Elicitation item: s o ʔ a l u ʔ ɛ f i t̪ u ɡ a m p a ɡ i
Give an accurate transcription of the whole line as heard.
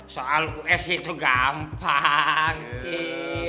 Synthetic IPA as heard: s o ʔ a l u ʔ ɛ s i t̪ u ɡ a m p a ŋ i